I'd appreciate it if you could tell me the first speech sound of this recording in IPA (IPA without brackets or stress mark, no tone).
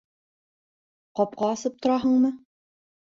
q